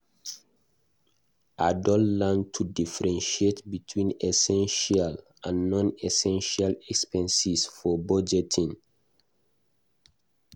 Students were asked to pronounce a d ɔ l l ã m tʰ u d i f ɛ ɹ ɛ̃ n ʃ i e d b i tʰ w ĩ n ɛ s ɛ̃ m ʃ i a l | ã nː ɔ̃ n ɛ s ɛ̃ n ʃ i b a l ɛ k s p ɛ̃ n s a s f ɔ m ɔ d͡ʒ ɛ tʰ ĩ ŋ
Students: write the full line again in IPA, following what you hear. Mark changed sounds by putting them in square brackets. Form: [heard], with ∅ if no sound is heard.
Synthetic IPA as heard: a d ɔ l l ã [n] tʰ u d i f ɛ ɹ ɛ̃ n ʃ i e [t] b i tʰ w ĩ n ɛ s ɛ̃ [n] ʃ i a l | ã nː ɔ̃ n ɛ s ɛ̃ n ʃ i [∅] a l ɛ k s p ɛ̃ n s [i] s f ɔ [b] ɔ d͡ʒ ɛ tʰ ĩ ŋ